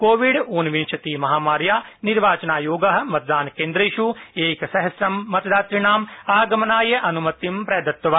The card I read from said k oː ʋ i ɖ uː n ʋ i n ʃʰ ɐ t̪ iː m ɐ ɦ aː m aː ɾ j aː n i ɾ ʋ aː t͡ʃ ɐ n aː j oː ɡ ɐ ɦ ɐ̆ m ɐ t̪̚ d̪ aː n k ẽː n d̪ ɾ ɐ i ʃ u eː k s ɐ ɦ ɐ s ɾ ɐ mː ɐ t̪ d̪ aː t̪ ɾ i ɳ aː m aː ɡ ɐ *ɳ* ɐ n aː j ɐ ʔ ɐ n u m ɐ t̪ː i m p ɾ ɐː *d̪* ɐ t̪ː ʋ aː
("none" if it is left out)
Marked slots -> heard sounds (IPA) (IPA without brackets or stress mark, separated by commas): m, d̪